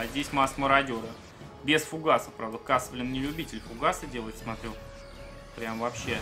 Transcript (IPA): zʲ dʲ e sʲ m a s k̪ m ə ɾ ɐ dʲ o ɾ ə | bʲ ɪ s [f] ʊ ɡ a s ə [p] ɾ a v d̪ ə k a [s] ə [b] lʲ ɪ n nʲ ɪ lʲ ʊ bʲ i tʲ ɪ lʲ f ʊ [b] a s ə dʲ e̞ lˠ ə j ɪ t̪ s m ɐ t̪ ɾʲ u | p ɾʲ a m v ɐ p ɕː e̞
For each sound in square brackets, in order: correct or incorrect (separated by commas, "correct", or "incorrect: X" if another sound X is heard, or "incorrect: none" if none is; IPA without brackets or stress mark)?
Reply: correct, correct, correct, incorrect: v, incorrect: ɡ